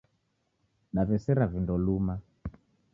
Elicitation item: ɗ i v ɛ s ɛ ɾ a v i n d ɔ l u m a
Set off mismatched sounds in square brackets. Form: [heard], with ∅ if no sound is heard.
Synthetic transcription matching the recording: ɗ [a] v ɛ s ɛ ɾ a v i n d ɔ l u m a

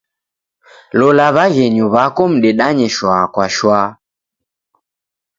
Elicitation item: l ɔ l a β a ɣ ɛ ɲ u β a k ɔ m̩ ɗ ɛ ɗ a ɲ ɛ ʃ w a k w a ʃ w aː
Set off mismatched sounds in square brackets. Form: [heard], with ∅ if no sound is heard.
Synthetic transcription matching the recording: l ɔ l a β a ɣ ɛ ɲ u β a k ɔ m̩ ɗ ɛ ɗ a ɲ ɛ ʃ w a k w a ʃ w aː

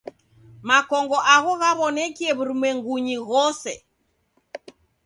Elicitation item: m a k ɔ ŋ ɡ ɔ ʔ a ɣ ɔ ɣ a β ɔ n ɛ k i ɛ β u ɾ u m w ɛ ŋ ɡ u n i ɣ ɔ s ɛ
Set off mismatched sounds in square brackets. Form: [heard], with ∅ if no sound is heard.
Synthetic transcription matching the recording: m a k ɔ ŋ ɡ ɔ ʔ a ɣ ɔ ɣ a β ɔ n ɛ k i ɛ β u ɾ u m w ɛ ŋ ɡ u [ɲ] i ɣ ɔ s ɛ

